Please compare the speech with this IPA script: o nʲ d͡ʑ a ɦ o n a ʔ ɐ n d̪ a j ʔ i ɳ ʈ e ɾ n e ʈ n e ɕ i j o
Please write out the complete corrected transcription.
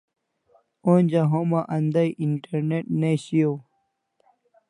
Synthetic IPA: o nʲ d͡ʑ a ɦ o m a ʔ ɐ n d̪ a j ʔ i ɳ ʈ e ɾ n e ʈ n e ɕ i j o